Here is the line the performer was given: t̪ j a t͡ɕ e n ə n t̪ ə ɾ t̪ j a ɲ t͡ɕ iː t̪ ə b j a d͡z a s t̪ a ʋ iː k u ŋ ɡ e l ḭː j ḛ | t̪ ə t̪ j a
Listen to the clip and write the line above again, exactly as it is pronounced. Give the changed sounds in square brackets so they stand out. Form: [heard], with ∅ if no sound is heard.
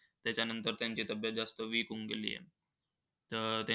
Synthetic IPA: t̪ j a t͡ɕ [a] n ə n t̪ ə ɾ t̪ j a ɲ t͡ɕ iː t̪ ə b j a d͡z a s t̪ [ə] ʋ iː k u ŋ ɡ e l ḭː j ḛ | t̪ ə t̪ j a